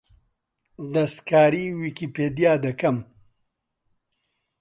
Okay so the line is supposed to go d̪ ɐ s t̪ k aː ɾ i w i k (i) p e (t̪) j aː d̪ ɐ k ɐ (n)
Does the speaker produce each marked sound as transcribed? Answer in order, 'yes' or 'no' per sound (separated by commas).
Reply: yes, no, no